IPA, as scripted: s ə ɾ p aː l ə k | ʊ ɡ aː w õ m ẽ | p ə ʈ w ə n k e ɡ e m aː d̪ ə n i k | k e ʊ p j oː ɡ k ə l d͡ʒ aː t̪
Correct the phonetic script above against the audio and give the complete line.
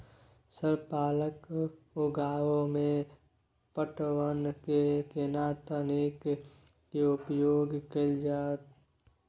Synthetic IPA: s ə ɾ p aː l ə k | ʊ ɡ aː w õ m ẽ | p ə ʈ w ə n k e k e n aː t̪ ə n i k | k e ʊ p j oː ɡ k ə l d͡ʒ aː t̪